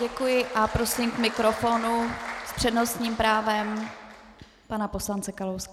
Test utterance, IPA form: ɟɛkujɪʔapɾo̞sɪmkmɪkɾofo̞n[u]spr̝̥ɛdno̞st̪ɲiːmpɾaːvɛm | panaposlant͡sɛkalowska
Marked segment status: correct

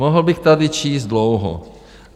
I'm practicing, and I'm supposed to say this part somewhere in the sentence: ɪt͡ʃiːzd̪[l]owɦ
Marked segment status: correct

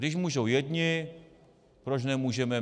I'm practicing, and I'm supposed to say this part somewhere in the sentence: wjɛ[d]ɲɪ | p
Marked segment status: correct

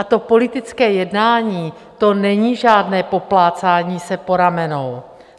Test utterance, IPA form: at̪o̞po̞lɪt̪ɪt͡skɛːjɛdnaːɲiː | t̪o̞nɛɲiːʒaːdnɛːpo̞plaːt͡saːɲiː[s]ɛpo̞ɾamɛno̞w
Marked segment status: correct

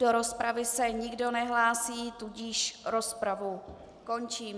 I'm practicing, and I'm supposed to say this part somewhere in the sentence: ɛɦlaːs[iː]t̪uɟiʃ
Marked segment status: correct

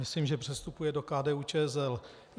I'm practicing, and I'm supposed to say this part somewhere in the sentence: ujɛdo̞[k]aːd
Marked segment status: correct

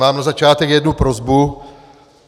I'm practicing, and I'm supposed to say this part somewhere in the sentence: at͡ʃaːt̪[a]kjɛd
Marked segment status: incorrect: ɛ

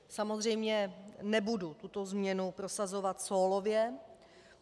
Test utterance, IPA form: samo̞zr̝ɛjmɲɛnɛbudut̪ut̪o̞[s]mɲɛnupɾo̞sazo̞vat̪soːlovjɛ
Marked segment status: incorrect: z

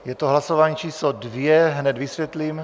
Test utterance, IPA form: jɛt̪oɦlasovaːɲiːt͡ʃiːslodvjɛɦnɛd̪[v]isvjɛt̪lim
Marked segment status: correct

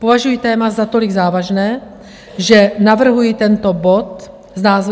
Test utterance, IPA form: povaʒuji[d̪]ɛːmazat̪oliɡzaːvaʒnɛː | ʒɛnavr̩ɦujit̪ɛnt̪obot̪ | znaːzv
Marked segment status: incorrect: t̪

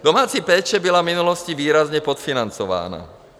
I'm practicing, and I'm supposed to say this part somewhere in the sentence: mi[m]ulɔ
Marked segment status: incorrect: n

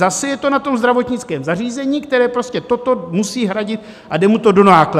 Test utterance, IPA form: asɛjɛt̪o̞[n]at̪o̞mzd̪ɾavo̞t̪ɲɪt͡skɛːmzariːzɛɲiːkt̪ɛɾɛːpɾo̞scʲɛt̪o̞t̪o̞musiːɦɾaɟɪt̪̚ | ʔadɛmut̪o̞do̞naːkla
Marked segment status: correct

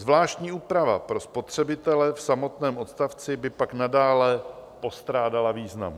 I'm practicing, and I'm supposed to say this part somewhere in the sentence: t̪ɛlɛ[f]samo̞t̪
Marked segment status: correct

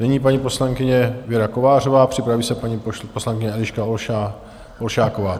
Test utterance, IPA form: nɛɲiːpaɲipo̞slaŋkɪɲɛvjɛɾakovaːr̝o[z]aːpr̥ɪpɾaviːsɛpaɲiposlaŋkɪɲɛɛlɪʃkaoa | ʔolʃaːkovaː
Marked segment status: incorrect: v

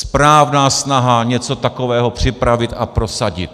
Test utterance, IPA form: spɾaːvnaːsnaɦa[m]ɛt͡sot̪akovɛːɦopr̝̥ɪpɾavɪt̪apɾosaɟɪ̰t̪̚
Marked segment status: incorrect: ɲ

